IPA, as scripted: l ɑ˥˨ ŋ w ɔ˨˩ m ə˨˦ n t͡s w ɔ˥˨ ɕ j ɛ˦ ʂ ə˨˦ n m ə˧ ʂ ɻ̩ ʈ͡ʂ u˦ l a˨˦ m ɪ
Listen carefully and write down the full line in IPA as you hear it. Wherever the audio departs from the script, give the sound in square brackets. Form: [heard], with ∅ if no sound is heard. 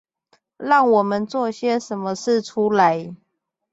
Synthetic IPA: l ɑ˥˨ ŋ w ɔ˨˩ m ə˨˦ n t͡s w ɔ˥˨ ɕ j ɛ˦ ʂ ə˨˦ n m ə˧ ʂ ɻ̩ [ʈ͡ʂʰ] u˦ l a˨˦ [∅] ɪ